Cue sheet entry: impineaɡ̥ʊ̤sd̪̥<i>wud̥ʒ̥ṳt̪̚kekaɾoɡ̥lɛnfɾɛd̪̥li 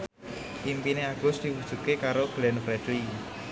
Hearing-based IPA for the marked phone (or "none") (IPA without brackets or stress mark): i